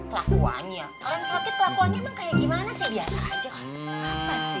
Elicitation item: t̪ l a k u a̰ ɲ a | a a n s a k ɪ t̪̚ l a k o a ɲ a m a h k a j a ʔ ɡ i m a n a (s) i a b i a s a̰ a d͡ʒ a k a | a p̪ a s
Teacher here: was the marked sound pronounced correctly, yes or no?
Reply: yes